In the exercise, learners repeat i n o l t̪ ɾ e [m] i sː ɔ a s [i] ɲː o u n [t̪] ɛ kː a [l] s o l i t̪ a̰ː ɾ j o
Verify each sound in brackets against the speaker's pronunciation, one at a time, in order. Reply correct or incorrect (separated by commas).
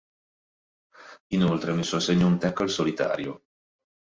correct, incorrect, correct, correct